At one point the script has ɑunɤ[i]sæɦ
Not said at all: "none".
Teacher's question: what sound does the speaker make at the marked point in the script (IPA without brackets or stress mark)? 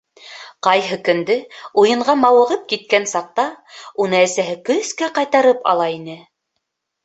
æ